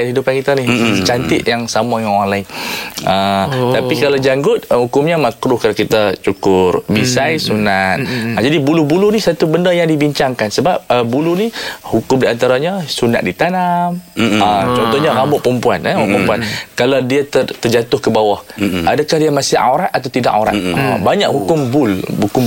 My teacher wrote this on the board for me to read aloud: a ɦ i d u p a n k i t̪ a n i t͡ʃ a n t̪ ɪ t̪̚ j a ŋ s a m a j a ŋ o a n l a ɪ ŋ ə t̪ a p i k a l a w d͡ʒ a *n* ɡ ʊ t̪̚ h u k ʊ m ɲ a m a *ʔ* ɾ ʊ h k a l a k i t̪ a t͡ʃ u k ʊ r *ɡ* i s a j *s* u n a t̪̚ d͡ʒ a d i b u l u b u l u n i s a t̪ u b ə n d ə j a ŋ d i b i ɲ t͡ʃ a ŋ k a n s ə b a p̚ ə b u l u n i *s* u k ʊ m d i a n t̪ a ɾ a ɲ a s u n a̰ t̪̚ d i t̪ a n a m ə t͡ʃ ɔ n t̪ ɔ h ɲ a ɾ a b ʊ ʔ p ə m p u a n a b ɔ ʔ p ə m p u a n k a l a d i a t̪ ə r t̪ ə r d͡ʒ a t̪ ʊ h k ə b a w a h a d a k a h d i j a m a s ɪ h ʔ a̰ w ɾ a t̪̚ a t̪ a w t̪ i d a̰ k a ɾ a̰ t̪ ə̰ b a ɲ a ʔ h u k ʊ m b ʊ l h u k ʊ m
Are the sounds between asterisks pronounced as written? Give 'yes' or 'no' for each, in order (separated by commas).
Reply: no, no, no, yes, no